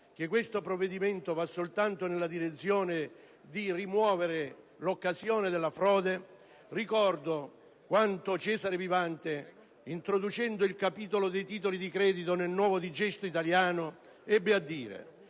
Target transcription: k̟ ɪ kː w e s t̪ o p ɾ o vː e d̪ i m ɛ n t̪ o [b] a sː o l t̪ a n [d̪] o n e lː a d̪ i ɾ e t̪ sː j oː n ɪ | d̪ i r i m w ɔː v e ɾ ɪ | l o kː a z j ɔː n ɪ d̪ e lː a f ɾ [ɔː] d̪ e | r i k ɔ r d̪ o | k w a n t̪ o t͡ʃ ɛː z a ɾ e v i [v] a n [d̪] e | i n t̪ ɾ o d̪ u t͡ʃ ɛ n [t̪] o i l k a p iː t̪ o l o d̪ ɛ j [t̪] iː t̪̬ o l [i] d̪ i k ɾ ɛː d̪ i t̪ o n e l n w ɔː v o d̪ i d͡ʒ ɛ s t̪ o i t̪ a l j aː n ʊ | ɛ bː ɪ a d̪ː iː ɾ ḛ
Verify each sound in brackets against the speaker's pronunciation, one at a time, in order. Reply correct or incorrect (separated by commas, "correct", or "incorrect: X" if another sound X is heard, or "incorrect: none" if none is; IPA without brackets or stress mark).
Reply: incorrect: v, incorrect: t̪, correct, correct, incorrect: t̪, incorrect: d̪, correct, correct